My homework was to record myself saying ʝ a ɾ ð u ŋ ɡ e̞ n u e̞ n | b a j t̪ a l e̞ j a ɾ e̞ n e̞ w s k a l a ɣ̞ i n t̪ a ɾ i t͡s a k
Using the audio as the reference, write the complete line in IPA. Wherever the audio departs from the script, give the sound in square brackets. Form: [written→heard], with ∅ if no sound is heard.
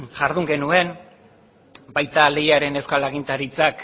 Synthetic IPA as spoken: ʝ a ɾ ð u ŋ ɡ e̞ n u e̞ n | b a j t̪ a l e̞ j a ɾ e̞ n e̞ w s k a l a ɣ̞ i n t̪ a ɾ i t͡s a k